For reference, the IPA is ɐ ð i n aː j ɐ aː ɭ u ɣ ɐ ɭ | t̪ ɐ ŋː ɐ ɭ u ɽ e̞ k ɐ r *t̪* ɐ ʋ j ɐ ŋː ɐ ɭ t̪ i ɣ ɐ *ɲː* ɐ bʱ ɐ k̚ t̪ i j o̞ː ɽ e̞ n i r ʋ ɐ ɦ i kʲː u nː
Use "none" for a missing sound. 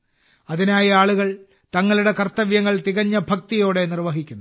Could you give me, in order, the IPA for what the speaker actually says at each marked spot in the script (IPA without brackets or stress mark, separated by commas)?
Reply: t̪, ɲː